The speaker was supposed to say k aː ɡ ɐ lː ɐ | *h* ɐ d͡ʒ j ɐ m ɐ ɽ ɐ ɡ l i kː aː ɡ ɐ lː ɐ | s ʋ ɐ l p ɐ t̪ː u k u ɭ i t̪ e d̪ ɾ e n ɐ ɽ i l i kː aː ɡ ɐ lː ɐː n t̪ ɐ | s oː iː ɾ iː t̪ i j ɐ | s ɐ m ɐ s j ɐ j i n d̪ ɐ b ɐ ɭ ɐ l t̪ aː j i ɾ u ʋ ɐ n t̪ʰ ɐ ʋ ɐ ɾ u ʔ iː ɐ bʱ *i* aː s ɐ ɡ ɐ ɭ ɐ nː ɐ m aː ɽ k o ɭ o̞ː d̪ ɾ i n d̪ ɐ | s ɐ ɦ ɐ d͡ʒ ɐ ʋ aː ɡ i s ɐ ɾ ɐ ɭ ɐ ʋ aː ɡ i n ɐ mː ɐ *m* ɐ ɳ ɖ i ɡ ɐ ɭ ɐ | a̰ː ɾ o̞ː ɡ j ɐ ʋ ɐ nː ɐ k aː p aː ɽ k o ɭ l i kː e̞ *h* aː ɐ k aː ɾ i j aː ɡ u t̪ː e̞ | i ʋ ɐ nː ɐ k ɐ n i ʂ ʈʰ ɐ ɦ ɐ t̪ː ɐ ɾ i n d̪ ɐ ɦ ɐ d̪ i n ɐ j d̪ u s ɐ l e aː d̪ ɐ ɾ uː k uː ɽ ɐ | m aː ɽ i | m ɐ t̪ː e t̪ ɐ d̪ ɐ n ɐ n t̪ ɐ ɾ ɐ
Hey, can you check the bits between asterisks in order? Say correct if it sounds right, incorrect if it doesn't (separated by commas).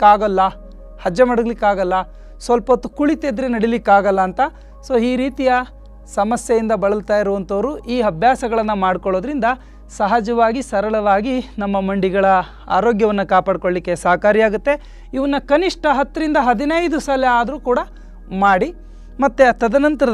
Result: correct, incorrect, correct, incorrect